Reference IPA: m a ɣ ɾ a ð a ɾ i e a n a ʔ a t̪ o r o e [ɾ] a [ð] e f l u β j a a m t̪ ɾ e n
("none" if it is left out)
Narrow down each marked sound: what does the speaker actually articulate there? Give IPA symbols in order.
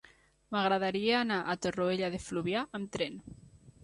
ʎ, ð

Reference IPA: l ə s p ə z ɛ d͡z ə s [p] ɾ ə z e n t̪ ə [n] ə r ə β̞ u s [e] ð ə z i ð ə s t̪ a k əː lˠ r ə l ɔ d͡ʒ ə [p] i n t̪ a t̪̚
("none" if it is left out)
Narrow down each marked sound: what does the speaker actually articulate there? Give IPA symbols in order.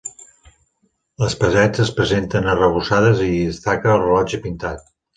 p, n, a, p

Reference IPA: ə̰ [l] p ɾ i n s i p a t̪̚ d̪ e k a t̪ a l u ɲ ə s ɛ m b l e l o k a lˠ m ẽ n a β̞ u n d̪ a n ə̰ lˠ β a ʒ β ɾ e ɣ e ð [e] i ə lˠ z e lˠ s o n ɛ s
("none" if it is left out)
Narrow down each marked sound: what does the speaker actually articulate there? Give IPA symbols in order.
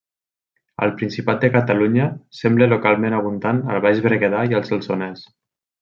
l, a

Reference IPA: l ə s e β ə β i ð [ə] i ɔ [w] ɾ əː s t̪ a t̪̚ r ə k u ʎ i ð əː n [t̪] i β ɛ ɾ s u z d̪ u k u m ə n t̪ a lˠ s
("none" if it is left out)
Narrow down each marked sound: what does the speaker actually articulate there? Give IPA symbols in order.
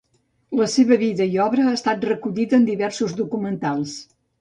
ə, β, d̪

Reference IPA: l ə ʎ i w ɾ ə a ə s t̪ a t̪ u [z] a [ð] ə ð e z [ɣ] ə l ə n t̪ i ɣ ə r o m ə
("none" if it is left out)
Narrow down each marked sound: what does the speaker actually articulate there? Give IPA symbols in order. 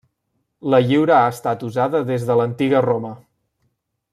z, ð, ð

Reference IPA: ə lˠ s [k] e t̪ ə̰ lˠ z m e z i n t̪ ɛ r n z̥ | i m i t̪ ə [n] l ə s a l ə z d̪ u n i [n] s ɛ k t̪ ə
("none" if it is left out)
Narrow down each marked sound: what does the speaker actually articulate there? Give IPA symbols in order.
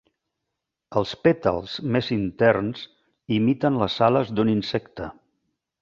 p, n, n

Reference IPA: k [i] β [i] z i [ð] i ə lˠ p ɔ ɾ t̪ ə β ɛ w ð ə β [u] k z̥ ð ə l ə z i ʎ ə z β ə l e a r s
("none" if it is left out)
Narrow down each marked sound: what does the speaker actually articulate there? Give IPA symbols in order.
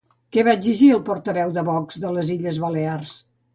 ɛ, a, ʒ, ɔ

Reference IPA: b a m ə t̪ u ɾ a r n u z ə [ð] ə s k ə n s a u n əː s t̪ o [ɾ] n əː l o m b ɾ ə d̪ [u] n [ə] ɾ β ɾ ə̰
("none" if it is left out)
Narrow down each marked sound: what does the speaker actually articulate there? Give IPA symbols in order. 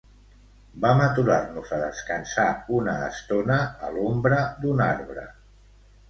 ð, none, u, a

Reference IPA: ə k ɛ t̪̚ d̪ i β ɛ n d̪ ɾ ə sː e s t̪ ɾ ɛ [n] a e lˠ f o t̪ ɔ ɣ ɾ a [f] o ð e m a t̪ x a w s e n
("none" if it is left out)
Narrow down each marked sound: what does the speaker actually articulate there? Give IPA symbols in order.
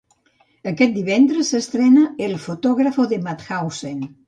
n, f

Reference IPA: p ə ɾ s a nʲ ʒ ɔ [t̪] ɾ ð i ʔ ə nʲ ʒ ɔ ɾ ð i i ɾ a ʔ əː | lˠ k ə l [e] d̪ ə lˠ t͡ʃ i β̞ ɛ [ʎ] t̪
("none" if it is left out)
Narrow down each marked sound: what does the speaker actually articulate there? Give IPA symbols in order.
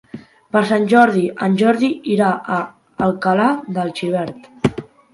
none, a, ɾ

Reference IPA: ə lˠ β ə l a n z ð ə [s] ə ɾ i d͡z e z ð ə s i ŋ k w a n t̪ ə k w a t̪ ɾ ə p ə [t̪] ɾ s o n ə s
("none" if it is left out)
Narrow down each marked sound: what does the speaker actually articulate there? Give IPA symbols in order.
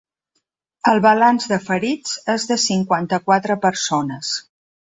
f, none

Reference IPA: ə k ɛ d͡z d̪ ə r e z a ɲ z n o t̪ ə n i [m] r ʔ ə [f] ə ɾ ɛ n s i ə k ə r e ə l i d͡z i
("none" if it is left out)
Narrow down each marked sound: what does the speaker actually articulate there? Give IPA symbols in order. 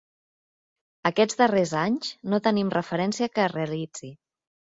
m, f

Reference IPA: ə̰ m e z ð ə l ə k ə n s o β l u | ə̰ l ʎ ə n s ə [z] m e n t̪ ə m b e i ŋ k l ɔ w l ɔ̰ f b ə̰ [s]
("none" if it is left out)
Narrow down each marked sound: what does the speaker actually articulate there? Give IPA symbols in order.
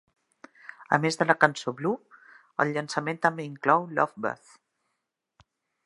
none, θ

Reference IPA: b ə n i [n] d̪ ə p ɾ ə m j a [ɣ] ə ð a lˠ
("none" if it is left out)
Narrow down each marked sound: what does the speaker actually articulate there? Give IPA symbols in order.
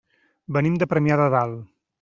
m, ð

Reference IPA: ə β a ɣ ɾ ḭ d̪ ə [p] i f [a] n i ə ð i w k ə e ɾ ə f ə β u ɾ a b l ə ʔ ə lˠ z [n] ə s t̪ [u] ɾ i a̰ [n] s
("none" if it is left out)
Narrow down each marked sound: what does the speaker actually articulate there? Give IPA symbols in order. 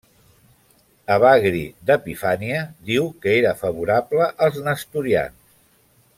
p, a, n, u, n

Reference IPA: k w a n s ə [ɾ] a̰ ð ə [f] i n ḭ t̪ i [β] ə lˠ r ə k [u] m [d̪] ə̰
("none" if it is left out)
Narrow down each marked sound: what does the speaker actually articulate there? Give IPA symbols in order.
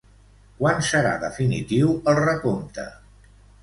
ɾ, f, w, o, t̪

